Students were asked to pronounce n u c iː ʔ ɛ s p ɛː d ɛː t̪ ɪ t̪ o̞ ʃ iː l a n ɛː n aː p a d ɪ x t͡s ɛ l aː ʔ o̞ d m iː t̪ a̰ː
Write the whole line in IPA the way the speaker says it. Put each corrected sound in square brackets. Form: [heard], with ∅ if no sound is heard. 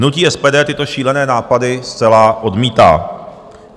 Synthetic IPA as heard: n u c iː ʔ ɛ s p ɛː d ɛː t̪ ɪ t̪ o̞ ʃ iː l [ɛ] n ɛː n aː p a d ɪ [s] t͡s ɛ l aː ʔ o̞ d m iː t̪ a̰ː